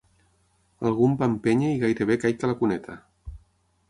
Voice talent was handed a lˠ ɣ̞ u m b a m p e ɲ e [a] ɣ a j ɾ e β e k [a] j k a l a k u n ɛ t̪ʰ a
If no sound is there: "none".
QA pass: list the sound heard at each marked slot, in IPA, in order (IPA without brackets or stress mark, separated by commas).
i, a